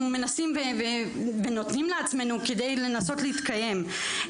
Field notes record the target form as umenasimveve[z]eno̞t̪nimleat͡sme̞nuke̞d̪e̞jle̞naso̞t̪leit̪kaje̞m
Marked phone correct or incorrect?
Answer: incorrect